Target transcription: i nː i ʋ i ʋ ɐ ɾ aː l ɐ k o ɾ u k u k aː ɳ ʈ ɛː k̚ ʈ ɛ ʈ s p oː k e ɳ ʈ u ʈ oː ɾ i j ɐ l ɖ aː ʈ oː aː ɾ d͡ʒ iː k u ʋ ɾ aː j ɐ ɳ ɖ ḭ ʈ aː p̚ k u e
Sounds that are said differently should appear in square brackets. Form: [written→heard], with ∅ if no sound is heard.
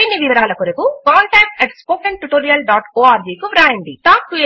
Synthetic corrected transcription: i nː i ʋ i ʋ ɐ ɾ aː l ɐ k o ɾ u k u k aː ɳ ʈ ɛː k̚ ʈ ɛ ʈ s p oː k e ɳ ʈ u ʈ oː ɾ i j ɐ l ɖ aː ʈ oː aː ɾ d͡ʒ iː k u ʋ ɾ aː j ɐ ɳ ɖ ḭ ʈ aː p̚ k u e